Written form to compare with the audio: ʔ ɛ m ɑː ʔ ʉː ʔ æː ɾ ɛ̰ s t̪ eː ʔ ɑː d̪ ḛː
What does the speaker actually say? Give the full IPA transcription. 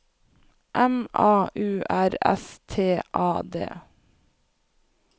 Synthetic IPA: ʔ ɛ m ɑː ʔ ʉː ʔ æ ɾ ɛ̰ s t̪ʰ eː ʔ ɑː d̪ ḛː